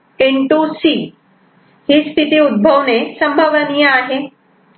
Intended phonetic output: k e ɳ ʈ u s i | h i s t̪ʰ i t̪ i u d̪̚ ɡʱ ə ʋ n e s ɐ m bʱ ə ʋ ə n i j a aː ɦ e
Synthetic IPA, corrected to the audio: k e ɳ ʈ u s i | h i s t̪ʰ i t̪ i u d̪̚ bʱ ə ʋ n e s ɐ m bʱ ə ʋ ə n i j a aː ɦ e